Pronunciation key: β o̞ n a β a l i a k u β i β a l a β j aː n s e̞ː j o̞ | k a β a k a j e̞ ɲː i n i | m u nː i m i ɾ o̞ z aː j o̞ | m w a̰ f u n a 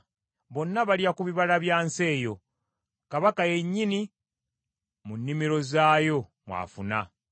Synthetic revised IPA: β o̞ nː a β a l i a k u β i β a l a β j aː n s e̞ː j o̞ | k a β a k a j e̞ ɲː i n i | m u nː i m i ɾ o̞ z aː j o̞ | m w a̰ f u n a